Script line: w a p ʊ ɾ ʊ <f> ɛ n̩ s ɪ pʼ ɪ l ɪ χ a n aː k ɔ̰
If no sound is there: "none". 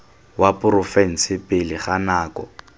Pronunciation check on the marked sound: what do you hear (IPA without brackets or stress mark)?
f